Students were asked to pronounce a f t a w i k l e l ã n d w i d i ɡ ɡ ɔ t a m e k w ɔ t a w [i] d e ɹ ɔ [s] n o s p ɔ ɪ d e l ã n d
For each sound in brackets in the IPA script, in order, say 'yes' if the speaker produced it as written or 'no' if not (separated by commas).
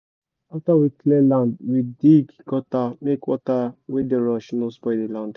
no, no